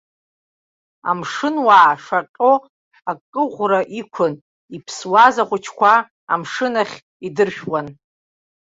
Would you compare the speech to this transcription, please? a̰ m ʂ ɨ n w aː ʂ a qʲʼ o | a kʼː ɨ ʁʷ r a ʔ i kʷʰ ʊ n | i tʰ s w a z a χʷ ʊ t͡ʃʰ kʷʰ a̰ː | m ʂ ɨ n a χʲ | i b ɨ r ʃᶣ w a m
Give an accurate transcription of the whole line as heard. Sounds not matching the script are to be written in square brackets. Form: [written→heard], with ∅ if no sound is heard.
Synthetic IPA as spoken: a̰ m ʂ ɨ n w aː ʂ a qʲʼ o | a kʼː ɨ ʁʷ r a ʔ i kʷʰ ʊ n | i [tʰ→pʰ] s w a z a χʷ ʊ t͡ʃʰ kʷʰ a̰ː | m ʂ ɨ n a χʲ | i [b→d] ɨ r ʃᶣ w a [m→n]